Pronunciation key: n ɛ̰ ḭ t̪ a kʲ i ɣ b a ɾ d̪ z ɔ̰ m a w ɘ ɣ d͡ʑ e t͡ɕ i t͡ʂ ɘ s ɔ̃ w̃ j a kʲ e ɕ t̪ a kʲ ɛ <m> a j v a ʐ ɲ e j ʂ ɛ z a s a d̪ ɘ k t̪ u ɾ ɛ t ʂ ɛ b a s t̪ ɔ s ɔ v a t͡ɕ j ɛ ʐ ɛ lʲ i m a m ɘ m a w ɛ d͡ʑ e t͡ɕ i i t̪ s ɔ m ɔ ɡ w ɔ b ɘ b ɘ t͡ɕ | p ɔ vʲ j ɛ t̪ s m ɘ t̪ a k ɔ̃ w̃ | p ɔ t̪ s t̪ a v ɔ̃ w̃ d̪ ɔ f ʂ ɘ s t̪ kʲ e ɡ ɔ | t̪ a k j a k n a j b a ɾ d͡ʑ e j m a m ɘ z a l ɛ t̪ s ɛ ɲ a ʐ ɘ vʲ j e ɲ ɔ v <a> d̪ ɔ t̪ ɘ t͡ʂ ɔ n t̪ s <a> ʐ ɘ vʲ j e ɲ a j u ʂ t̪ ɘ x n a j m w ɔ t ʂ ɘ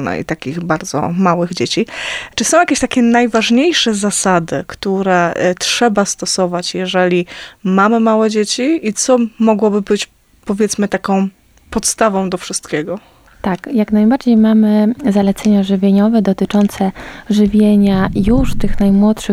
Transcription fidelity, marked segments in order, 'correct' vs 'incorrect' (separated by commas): incorrect, incorrect, incorrect